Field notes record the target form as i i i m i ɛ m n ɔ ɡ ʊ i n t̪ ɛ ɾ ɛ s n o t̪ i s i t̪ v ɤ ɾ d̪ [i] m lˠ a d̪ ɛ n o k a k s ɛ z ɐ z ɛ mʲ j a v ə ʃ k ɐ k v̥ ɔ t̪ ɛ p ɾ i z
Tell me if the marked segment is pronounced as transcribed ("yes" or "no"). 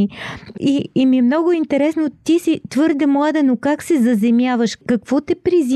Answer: no